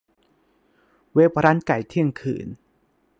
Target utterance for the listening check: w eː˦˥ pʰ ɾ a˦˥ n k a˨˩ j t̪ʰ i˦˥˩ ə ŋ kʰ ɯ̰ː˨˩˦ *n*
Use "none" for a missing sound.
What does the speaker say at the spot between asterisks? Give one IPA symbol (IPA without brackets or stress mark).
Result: n